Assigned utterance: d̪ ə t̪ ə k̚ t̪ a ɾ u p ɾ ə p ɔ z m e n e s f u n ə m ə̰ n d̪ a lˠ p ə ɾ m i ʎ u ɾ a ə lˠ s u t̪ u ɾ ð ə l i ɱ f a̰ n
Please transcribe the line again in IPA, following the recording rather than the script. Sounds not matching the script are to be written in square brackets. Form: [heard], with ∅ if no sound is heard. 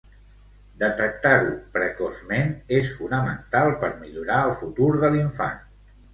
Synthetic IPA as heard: d̪ ə t̪ ə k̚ t̪ a ɾ u p ɾ ə [k] ɔ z m e n e s f u n ə m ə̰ n [t̪] a lˠ p ə ɾ m i ʎ u ɾ a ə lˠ [f] u t̪ u ɾ ð ə l i ɱ f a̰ n